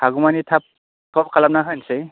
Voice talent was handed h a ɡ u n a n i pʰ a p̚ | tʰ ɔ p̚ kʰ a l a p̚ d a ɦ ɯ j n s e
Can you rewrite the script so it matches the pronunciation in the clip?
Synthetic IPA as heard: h a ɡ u m a n i tʰ a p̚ | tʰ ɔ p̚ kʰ a l a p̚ n a ɦ ɯ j n s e